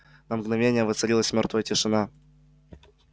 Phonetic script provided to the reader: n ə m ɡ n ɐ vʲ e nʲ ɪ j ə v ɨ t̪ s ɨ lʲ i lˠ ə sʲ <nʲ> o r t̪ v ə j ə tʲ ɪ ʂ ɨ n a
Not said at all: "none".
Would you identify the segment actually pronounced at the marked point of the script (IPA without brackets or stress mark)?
mʲ